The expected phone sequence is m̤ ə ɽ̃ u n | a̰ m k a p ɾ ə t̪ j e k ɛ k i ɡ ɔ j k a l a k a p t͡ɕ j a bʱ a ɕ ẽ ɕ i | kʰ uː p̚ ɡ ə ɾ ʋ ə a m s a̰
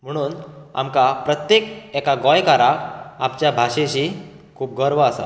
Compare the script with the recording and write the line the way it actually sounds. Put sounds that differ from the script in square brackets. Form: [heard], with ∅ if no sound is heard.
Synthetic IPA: m̤ ə ɽ̃ [uː] n | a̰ m k a p ɾ ə t̪ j e k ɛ k [a] ɡ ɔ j k a [ɾ] a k a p t͡ɕ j a bʱ a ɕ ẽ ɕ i | kʰ uː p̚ ɡ ə ɾ ʋ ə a [∅] s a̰